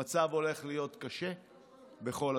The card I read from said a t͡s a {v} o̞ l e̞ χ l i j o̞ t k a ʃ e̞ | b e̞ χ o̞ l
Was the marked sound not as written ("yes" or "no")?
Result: no